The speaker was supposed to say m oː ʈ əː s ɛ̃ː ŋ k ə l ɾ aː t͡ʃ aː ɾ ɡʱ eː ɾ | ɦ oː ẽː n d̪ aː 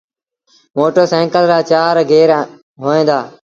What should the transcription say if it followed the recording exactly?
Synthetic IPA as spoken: m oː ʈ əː s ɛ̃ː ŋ k ə l ɾ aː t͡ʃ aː ɾ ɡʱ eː ɾ | ɦ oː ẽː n d̪ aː